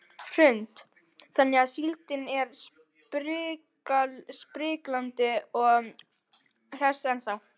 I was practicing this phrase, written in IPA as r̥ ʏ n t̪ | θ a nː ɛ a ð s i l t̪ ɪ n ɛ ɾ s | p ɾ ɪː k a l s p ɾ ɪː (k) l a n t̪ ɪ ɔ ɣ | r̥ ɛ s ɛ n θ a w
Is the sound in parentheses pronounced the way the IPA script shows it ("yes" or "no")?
yes